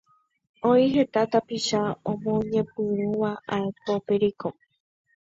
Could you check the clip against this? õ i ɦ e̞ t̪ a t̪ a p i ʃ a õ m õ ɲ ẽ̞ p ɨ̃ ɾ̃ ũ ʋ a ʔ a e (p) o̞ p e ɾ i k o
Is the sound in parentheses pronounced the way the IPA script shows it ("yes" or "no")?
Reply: yes